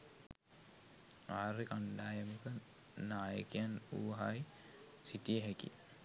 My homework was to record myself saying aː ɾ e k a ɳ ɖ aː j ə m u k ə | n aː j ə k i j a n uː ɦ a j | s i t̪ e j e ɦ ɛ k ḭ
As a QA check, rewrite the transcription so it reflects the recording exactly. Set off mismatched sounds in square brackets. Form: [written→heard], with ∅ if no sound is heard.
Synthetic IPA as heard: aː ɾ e k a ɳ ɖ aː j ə m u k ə | n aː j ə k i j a n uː ɦ a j | s i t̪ [e→i] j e ɦ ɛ k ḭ